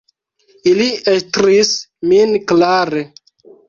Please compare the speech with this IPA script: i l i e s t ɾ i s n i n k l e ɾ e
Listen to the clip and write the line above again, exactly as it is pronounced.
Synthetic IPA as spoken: i l i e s t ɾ i s m i n k l a ɾ e